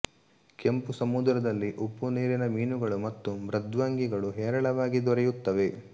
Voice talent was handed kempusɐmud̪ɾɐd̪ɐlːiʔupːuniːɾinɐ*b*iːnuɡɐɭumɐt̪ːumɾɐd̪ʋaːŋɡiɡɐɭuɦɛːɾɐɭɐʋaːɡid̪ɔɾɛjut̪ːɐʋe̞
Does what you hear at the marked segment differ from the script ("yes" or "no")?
yes